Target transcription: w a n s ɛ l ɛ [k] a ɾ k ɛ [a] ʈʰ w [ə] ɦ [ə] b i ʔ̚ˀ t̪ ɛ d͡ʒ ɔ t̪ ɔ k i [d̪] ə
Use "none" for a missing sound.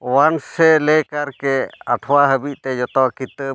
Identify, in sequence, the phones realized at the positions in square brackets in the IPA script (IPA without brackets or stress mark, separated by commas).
k, a, a, ə, t̪